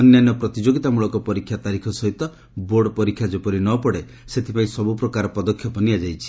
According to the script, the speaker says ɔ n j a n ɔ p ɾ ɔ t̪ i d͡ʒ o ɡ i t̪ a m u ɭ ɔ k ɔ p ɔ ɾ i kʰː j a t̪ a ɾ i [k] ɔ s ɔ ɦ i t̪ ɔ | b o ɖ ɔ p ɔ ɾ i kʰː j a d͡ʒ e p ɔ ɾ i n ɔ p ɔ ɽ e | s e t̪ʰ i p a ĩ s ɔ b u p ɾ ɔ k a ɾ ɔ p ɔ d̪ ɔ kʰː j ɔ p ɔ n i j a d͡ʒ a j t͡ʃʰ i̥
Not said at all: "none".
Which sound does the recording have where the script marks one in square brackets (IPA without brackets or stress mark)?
kʰ